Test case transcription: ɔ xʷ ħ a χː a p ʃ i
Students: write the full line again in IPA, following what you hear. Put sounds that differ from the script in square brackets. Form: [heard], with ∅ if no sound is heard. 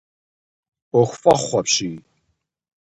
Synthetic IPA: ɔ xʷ [f] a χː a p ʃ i